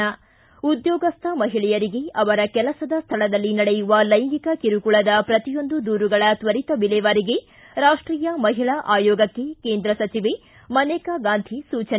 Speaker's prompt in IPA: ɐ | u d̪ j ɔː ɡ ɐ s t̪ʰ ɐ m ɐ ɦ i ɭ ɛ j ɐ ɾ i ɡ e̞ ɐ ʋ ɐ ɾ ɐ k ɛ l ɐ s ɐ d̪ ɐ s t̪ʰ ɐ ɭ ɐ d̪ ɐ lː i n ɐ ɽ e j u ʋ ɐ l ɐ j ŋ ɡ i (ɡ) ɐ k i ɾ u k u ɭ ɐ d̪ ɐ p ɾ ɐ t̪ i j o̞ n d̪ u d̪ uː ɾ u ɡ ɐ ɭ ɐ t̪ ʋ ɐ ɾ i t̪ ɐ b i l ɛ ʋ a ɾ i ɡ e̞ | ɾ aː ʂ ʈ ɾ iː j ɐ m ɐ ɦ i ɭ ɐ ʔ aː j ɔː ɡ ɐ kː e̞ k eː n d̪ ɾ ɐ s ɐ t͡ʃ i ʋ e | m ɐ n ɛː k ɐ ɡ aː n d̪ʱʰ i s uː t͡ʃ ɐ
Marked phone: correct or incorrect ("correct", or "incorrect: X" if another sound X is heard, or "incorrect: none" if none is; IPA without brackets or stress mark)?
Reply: incorrect: k